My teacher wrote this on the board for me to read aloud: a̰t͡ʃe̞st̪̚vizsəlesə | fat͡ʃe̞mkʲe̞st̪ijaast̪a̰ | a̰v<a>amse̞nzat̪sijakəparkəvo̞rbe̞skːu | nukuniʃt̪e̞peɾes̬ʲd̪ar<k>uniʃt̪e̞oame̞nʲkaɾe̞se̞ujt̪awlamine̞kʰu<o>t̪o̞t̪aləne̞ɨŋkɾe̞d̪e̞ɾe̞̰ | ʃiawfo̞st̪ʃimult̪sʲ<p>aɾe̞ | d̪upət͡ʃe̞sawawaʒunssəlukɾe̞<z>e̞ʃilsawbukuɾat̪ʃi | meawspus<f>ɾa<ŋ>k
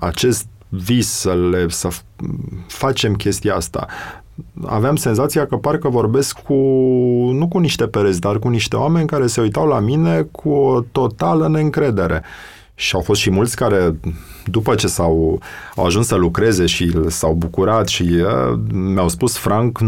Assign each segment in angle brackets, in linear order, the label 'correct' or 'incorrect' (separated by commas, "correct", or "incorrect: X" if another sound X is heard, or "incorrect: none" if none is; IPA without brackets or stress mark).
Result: incorrect: e, correct, correct, incorrect: k, correct, correct, correct